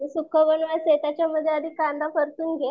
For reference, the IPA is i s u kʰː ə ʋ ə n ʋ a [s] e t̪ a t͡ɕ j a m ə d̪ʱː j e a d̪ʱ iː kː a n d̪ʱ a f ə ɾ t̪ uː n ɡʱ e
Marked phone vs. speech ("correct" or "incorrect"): correct